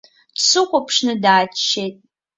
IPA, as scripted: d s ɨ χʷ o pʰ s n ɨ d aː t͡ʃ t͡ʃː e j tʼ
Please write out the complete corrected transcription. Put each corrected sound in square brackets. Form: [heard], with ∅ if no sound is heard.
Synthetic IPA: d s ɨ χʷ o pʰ [ʂ] n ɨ d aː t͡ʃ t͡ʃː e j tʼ